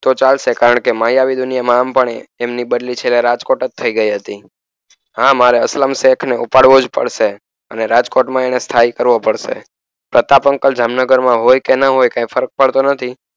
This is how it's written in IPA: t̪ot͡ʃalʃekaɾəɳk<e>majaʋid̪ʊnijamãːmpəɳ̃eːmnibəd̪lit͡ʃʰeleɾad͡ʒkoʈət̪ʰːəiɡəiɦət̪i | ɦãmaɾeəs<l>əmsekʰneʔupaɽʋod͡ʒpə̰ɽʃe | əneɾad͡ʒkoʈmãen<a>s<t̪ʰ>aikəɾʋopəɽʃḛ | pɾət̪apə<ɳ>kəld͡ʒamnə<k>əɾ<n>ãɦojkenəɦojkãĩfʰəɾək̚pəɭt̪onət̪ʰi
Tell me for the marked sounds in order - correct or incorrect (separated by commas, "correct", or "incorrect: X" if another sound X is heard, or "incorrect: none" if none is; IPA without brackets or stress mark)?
correct, correct, incorrect: e, correct, incorrect: ŋ, incorrect: ɡ, incorrect: m